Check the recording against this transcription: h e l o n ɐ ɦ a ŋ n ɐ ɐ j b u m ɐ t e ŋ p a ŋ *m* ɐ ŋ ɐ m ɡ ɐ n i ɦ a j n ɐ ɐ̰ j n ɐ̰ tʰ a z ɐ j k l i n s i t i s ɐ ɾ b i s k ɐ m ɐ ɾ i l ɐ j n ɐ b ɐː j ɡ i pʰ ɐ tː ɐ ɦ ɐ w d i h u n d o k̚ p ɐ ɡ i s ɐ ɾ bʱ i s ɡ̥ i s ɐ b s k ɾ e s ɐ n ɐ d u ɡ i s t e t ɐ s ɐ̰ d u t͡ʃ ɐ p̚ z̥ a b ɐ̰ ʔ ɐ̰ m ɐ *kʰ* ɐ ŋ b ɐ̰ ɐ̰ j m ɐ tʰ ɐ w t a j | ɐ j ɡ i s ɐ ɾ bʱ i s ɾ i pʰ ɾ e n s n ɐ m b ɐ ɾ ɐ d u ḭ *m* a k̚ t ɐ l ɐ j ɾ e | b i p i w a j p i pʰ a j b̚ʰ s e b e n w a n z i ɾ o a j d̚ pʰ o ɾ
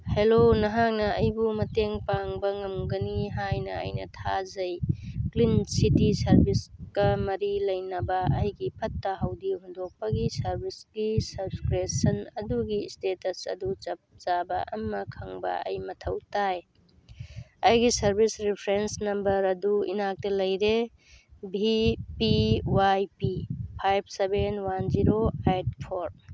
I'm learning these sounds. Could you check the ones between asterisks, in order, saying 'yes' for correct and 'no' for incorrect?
no, yes, no

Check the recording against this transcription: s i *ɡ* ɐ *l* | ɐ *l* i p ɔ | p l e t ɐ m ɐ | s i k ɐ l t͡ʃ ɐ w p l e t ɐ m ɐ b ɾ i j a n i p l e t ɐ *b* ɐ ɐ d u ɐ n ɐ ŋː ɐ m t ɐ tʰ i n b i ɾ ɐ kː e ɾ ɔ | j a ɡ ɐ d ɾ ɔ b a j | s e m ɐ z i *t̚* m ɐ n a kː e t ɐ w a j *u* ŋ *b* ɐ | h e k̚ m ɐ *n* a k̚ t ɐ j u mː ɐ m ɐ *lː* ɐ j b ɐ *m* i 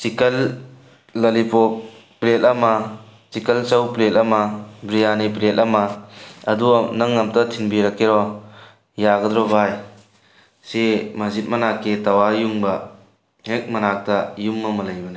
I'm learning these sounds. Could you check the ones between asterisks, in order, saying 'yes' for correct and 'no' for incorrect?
no, no, yes, no, yes, yes, yes, yes, no, no

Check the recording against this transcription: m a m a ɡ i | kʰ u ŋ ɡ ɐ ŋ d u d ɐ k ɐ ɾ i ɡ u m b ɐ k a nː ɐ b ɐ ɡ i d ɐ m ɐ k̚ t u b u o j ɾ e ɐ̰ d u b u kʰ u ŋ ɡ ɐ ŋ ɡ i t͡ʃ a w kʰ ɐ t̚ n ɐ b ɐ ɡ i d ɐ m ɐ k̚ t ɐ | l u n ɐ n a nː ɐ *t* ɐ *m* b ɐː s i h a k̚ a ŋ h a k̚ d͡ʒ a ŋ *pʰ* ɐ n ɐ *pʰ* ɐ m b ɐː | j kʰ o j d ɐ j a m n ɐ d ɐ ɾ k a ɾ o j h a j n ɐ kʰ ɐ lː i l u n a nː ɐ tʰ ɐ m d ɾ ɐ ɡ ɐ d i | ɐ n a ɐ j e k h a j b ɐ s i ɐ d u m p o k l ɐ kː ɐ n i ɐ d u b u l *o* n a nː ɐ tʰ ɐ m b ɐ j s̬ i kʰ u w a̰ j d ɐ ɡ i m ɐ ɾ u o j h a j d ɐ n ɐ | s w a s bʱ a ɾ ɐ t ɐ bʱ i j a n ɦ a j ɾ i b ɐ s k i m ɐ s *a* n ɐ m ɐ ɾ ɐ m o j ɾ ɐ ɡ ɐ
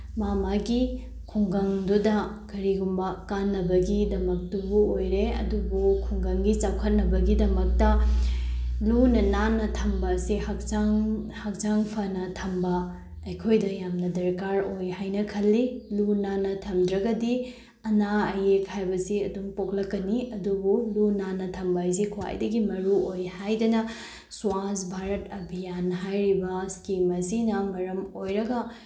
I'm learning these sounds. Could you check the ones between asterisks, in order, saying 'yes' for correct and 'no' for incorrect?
no, yes, yes, no, no, no

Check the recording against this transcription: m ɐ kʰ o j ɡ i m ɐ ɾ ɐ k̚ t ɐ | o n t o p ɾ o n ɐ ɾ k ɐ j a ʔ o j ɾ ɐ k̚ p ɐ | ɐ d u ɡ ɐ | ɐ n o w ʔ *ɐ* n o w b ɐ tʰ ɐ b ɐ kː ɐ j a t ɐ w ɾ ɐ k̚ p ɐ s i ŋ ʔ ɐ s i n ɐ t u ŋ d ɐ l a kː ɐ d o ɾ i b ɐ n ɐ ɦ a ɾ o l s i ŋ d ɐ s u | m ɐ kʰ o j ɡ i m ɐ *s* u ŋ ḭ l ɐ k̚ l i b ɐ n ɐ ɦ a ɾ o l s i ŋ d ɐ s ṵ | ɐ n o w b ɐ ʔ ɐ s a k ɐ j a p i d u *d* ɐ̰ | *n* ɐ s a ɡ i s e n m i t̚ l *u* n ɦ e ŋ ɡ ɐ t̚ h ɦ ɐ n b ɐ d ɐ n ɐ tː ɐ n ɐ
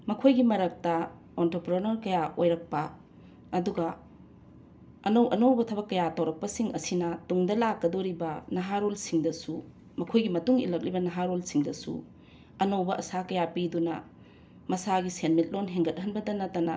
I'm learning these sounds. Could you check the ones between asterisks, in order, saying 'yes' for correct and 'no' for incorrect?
yes, no, no, no, no

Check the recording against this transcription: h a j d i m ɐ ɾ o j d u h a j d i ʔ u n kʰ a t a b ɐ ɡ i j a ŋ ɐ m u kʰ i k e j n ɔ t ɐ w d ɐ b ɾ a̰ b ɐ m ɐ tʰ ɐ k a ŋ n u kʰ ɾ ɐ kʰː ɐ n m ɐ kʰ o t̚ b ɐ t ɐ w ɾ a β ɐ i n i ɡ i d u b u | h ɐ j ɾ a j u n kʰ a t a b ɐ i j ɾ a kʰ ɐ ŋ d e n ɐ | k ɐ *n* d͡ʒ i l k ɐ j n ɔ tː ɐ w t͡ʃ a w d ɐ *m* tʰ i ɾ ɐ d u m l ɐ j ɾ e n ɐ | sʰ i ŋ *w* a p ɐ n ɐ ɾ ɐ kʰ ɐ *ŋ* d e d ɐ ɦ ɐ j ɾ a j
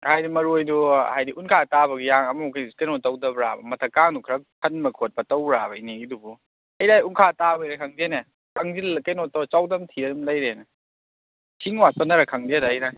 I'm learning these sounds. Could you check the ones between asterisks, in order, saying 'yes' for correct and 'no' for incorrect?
no, yes, yes, yes

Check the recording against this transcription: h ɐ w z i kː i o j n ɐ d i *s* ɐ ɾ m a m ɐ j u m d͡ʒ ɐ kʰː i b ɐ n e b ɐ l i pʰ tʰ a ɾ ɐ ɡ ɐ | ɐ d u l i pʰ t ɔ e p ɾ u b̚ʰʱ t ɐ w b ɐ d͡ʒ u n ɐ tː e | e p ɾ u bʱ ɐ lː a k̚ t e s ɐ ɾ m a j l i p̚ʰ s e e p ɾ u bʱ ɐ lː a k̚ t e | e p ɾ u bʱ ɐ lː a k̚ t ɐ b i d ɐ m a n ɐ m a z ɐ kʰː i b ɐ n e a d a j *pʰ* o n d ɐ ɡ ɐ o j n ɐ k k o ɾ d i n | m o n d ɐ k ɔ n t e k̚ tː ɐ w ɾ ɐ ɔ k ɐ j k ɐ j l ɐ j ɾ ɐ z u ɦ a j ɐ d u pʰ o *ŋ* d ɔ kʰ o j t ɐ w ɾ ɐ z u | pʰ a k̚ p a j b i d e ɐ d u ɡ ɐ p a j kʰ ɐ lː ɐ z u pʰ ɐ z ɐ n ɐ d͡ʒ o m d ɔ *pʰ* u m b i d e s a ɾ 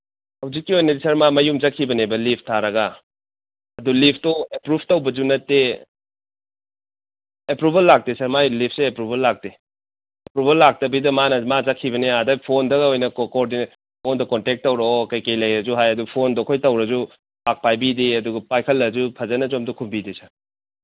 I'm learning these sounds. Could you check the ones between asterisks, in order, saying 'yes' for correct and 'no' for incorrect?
yes, yes, no, no

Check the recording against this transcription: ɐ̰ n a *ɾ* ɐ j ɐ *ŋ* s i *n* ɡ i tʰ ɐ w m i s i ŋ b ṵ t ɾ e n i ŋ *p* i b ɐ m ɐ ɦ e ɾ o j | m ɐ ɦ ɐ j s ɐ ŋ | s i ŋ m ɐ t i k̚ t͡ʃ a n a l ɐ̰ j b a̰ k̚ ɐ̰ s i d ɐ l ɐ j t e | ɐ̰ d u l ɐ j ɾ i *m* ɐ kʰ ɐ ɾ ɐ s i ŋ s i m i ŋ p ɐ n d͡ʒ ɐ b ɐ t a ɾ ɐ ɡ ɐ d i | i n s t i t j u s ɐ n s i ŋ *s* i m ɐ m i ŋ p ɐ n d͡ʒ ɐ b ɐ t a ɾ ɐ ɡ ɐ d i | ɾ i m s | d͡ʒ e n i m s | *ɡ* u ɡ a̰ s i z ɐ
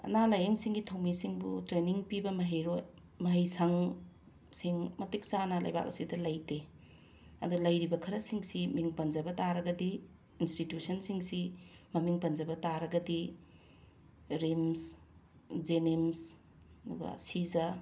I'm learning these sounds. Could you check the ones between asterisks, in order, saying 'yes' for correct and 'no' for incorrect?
no, yes, no, yes, no, yes, no

